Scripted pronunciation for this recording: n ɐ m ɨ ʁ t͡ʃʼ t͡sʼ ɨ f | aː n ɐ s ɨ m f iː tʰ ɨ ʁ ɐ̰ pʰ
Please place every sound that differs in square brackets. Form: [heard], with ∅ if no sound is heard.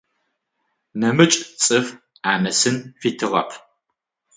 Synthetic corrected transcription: n ɐ m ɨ [∅] t͡ʃʼ t͡sʼ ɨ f | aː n ɐ s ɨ [n] f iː tʰ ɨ ʁ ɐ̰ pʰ